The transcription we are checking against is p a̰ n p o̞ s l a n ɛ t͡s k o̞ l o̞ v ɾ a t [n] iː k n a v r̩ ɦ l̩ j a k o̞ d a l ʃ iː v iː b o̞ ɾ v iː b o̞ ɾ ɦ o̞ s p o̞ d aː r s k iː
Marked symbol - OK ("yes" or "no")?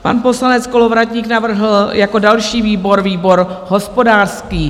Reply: no